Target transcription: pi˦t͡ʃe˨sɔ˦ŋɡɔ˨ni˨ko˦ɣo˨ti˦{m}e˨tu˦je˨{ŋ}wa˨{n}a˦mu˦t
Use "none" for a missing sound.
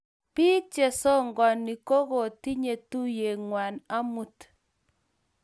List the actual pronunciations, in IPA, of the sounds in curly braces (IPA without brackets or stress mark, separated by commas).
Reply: ɲ, ŋ, n